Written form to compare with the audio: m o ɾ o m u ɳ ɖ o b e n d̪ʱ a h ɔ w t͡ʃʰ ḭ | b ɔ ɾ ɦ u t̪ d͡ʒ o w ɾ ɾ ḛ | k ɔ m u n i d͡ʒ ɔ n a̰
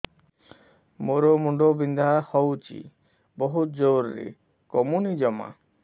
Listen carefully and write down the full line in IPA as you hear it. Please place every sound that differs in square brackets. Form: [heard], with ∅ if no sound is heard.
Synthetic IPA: m o ɾ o m u ɳ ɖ o b [i] n d̪ʱ a h ɔ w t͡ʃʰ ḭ | b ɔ [∅] ɦ u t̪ d͡ʒ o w ɾ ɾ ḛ | k ɔ m u n i d͡ʒ ɔ [m] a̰

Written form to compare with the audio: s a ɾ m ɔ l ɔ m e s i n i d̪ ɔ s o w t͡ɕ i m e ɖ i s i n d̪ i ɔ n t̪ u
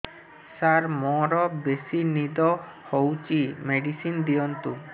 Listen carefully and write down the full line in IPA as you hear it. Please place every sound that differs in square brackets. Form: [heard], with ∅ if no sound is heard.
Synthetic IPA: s a ɾ m ɔ [ɾ] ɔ [b] e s i n i d̪ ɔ [h] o w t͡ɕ i m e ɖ i s i n d̪ i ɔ n t̪ u

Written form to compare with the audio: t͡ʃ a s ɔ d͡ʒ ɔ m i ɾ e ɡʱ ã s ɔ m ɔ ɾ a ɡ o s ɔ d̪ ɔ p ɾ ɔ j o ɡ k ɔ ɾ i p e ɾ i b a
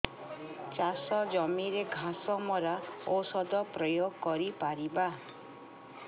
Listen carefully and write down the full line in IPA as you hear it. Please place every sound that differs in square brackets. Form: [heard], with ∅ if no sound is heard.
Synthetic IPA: t͡ʃ a s ɔ d͡ʒ ɔ m i ɾ e ɡʱ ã s ɔ m ɔ ɾ a [∅] o s ɔ d̪ ɔ p ɾ ɔ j o ɡ k ɔ ɾ i p [a] ɾ i b a

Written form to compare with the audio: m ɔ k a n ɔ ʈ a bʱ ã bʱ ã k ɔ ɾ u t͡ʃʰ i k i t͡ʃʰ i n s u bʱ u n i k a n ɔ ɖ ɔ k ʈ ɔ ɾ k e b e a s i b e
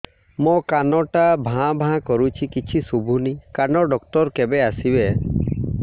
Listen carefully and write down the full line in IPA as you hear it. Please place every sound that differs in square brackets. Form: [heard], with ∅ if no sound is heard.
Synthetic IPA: m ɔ k a n ɔ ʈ a bʱ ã bʱ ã k ɔ ɾ u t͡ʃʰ i k i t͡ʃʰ i [∅] s u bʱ u n i k a n ɔ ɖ ɔ k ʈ ɔ ɾ k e b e a s i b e

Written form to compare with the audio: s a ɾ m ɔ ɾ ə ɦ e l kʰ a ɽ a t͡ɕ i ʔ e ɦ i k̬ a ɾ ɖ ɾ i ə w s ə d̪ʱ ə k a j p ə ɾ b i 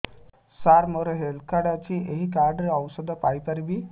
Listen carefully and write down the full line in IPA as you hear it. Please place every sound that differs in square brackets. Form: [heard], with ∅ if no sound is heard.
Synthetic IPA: s a ɾ m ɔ ɾ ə ɦ e l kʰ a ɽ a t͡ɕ i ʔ e ɦ i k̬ a ɾ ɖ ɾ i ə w s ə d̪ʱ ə [p] a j p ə ɾ b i

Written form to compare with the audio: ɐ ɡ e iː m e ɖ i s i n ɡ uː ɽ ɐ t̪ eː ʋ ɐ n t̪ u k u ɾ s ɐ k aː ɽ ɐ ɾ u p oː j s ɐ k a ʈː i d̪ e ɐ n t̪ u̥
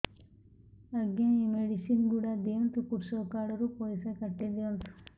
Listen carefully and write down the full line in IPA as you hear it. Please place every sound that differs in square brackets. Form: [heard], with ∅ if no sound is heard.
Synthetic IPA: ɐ ɡ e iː m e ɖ i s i n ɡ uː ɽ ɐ [d̪] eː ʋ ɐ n t̪ u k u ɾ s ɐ k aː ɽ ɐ ɾ u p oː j s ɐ k [ɐ] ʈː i d̪ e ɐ n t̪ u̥

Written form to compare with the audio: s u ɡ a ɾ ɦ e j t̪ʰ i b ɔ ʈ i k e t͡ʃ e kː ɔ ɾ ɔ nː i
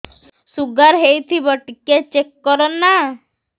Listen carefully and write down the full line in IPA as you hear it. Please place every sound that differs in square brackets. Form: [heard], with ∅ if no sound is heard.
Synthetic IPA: s u ɡ a ɾ ɦ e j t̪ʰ i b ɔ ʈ i k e t͡ʃ e kː ɔ ɾ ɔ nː [a]

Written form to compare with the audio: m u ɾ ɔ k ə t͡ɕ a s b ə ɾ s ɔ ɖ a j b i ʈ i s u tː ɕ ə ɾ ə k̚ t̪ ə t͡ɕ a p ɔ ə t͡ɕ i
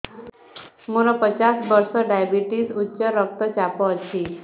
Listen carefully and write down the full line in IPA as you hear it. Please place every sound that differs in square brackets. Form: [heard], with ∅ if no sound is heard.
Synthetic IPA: m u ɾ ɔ [p] ə t͡ɕ a s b ə ɾ s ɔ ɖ a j b i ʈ i s u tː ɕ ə ɾ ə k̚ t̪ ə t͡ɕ a p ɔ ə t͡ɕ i

